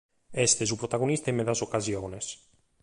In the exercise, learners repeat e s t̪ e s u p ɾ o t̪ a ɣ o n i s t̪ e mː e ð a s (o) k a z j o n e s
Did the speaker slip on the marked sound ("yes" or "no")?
no